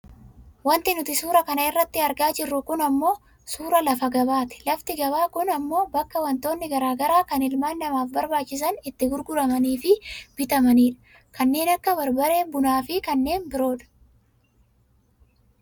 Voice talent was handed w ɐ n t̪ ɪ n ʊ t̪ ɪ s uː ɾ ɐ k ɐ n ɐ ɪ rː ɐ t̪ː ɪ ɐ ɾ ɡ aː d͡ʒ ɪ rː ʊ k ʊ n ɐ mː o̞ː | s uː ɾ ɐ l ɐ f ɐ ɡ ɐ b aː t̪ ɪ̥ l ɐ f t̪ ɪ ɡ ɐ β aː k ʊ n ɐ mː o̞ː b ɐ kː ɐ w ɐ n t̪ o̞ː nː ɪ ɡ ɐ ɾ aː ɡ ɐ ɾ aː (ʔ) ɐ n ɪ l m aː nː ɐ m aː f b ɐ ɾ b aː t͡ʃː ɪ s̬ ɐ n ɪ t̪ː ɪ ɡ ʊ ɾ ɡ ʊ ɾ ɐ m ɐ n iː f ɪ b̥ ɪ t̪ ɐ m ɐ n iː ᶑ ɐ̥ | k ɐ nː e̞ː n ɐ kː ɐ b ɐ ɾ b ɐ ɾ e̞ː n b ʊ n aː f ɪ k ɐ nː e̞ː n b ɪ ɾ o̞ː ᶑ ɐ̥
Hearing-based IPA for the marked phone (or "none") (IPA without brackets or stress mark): k